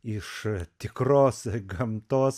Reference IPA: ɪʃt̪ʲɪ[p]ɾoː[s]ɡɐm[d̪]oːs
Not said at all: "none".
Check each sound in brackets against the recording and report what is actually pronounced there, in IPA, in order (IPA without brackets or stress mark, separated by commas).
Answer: k, s, t̪